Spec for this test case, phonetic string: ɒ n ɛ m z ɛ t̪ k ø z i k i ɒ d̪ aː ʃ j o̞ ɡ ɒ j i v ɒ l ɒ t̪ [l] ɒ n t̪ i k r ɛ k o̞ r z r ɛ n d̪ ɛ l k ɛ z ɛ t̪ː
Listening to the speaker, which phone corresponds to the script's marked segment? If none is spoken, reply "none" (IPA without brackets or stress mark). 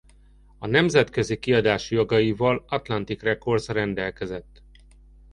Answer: l